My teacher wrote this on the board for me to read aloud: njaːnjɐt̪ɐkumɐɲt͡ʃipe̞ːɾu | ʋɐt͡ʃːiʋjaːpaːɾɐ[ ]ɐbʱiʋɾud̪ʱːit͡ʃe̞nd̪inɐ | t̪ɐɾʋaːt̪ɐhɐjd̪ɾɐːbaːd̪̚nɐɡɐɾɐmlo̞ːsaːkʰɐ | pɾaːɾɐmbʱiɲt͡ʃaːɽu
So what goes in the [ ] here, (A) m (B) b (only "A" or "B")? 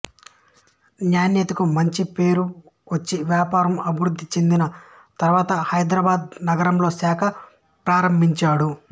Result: A